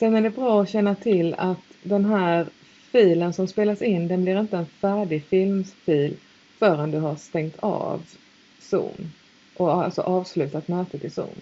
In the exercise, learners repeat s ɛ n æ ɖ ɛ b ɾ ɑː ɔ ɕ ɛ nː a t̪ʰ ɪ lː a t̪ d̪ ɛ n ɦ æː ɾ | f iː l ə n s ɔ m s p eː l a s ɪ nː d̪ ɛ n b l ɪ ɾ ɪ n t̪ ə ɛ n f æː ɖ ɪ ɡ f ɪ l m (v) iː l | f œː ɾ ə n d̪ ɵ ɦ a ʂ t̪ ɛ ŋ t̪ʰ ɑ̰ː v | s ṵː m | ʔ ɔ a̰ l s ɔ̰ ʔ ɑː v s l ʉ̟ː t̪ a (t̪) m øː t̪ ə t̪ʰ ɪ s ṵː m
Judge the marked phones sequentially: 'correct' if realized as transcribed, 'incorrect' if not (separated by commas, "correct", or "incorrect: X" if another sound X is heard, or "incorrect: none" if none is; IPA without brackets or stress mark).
incorrect: f, correct